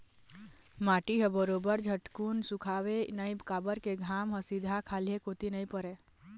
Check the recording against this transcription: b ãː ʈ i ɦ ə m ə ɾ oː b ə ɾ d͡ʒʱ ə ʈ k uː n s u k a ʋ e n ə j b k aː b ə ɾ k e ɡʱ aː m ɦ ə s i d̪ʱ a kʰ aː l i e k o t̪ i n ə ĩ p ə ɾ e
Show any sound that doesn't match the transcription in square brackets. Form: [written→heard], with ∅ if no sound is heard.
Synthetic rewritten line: [b→m] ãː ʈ i ɦ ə [m→b] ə ɾ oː b ə ɾ d͡ʒʱ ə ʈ k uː n s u [k→kʰ] a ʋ e n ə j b k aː b ə ɾ k e ɡʱ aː m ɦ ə s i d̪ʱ a kʰ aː l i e k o t̪ i n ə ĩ p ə ɾ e